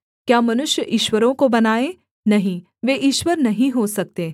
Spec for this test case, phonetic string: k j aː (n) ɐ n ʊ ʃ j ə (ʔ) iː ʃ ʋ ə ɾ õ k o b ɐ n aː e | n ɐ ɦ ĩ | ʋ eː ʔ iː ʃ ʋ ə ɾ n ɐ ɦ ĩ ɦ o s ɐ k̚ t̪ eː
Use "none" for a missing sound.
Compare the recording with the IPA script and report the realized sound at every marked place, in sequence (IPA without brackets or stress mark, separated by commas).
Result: m, ʔ